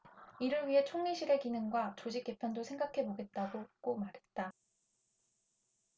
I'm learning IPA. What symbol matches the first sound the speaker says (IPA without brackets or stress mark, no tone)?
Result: i